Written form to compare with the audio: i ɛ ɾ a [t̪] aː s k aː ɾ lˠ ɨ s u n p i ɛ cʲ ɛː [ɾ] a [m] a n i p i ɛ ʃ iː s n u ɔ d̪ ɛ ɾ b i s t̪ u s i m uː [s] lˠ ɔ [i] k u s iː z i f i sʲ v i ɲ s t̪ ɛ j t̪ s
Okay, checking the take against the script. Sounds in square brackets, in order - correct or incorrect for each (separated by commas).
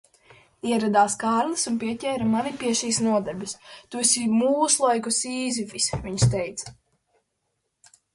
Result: incorrect, correct, correct, correct, incorrect